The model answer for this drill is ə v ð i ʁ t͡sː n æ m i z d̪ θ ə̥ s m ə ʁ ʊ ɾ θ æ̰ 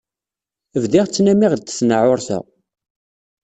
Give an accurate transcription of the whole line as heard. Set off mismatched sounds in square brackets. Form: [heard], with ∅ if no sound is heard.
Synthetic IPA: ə v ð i ʁ t͡sː n æ m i [ʁ] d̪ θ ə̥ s [n] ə [ʕ] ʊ ɾ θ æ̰